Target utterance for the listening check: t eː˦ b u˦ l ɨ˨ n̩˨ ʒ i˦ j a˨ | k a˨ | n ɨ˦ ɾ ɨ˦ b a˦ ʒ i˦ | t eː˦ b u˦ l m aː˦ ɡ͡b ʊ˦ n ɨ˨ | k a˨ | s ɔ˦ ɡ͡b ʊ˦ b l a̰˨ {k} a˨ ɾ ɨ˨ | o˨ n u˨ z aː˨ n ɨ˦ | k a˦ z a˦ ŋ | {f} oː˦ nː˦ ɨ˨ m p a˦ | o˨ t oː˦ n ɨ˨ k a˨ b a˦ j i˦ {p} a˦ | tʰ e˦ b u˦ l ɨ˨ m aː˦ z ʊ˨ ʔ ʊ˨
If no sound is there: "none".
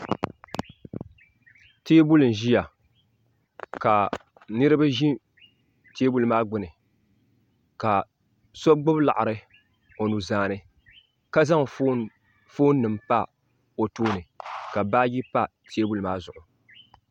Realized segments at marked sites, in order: ʔ, f, p

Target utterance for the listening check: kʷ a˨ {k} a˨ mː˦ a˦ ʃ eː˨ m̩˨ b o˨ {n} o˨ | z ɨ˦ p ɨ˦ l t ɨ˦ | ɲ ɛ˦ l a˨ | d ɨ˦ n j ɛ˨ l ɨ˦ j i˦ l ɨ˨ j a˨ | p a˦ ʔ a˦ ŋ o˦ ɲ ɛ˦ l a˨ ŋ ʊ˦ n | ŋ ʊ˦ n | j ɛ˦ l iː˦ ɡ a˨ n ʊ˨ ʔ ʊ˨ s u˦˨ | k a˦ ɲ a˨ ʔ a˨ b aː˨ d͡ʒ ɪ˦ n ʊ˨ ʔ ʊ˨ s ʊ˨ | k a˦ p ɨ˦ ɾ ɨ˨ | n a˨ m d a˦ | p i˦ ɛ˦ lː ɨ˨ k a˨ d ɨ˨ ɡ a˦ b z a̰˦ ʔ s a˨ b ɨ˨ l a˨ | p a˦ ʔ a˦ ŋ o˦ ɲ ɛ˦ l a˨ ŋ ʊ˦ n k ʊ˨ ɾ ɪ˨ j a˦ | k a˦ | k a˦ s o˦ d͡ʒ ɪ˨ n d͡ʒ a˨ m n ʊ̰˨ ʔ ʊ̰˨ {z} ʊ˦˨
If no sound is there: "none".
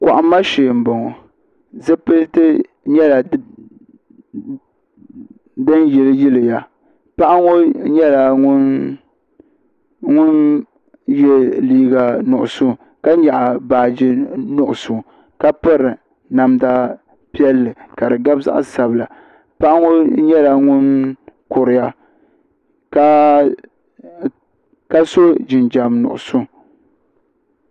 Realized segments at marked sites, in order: ʔ, ŋ, s

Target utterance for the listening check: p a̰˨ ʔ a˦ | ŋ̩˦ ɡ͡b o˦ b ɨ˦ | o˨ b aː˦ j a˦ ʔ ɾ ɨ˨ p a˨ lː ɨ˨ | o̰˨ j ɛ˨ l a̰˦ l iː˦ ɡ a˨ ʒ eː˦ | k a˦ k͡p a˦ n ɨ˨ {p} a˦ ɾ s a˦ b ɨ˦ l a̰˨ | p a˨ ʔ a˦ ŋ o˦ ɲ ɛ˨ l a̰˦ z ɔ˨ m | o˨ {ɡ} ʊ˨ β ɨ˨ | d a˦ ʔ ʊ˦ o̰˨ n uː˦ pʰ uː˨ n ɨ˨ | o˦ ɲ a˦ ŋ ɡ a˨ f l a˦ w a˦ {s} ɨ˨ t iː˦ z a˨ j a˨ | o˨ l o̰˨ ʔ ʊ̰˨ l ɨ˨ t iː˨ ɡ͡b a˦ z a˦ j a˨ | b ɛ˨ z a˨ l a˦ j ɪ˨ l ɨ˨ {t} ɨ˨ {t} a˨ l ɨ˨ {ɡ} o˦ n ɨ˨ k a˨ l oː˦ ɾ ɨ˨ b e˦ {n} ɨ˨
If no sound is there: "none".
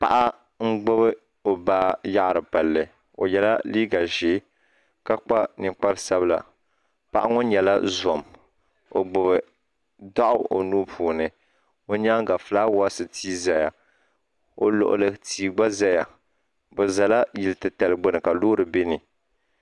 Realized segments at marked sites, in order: k͡p, ɡ͡b, s, t, t, ɡ͡b, n

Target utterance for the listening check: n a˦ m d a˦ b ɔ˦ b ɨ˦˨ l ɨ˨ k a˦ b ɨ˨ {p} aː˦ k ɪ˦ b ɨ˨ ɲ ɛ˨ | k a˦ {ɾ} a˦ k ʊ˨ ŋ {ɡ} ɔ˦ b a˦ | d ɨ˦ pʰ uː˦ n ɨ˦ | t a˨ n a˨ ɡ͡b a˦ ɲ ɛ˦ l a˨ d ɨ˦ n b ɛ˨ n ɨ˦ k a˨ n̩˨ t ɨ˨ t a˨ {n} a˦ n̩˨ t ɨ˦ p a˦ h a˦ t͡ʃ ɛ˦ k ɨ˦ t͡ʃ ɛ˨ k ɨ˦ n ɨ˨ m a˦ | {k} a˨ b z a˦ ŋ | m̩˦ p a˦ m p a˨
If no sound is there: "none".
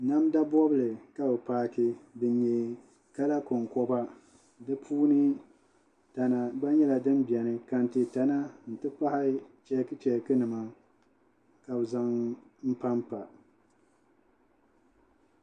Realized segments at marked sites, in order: p, l, k, n, k

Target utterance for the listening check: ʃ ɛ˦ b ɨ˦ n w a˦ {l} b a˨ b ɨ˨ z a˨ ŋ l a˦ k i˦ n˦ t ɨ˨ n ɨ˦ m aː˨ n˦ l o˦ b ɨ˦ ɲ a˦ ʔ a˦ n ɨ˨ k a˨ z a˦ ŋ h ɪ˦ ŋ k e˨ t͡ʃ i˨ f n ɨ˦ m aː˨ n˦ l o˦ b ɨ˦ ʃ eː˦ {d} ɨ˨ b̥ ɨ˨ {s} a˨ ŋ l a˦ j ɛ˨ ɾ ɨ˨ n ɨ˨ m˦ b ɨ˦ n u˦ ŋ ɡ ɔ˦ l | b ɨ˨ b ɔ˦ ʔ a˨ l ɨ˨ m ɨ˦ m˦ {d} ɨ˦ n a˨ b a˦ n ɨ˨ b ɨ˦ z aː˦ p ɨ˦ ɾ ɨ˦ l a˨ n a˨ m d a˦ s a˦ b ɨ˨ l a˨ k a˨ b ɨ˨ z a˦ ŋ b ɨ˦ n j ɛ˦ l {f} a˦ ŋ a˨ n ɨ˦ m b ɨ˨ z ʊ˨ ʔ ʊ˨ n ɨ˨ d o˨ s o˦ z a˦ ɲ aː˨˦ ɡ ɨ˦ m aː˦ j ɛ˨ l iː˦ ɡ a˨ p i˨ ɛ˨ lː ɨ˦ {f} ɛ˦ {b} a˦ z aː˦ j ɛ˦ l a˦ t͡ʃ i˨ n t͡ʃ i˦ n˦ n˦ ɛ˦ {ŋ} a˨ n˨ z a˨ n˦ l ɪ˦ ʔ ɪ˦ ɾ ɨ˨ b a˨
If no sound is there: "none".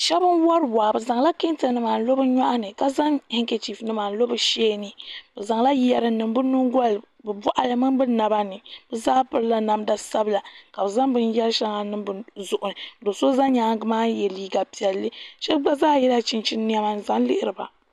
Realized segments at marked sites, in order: ɾ, n, z, b, ʃ, ʃ, ɡ͡b, m

